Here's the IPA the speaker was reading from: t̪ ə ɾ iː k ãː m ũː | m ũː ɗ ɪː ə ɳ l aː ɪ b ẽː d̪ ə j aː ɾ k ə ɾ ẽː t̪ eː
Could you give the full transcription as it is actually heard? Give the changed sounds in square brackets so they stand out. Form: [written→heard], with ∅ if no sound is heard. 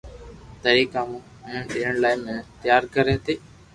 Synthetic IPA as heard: t̪ ə ɾ iː k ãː m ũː | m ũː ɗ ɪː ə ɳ l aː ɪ [b→m] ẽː [d̪→t̪] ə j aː ɾ k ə ɾ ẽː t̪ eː

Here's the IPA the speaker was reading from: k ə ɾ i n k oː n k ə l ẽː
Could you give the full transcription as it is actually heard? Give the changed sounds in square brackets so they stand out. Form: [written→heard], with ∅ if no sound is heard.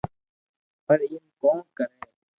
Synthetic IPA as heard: [k→p] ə ɾ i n k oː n k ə [l→ɾ] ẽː

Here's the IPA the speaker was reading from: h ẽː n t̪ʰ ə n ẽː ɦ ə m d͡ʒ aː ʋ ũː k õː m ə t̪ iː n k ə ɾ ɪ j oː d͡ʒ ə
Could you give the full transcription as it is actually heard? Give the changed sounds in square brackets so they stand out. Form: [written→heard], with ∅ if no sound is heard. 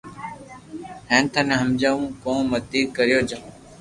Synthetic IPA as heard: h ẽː n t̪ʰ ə n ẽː ɦ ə m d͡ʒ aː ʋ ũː k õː m ə t̪ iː [n→∅] k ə ɾ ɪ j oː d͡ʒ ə

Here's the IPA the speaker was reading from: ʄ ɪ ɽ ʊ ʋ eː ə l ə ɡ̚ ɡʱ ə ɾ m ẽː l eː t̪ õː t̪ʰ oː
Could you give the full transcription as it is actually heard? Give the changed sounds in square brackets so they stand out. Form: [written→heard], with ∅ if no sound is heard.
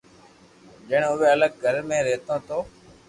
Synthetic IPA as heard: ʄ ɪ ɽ ʊ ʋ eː ə l ə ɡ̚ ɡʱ ə ɾ m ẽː [l→ɾ] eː t̪ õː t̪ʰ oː

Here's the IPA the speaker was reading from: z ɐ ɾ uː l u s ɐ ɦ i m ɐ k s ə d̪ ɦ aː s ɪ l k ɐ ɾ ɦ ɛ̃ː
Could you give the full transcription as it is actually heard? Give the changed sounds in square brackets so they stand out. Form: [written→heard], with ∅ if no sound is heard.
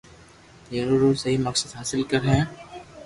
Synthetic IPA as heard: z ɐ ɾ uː [l→ɾ] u s ɐ ɦ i m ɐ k s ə d̪ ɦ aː s ɪ l k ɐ ɾ ɦ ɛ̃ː

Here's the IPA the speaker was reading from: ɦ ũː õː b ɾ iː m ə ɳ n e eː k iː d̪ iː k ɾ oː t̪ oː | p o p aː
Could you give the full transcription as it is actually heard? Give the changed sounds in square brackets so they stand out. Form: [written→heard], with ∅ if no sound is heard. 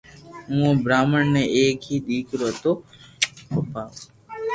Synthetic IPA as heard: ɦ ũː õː b ɾ [iː→aː] m ə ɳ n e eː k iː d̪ iː k ɾ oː t̪ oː | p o p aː

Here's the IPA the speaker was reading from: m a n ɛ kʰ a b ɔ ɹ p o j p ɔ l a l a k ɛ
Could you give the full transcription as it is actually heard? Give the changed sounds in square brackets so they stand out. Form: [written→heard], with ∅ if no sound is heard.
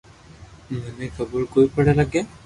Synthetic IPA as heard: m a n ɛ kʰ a b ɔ ɹ [p→k] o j p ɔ [l→ɹ] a l a [k→ɡ] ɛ

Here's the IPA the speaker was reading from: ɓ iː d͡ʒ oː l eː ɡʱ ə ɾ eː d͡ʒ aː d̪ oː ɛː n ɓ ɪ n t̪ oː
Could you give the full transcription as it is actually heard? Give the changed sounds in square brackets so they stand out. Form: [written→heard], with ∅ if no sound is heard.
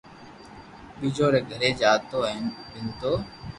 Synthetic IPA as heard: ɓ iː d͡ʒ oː [l→ɾ] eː ɡʱ ə ɾ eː d͡ʒ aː [d̪→t̪] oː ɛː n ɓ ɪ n t̪ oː

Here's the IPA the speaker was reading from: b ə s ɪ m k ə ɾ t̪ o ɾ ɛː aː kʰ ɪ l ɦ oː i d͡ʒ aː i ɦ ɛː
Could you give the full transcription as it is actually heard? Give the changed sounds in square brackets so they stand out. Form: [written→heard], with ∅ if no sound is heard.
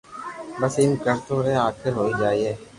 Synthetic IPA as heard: b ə s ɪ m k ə ɾ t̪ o ɾ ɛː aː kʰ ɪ [l→ɾ] ɦ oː i d͡ʒ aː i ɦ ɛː

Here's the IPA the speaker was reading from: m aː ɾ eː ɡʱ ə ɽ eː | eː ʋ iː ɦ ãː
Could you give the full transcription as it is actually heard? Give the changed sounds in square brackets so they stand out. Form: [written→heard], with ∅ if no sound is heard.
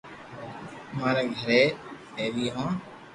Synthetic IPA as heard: m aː ɾ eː ɡʱ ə [ɽ→ɾ] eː | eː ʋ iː ɦ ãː

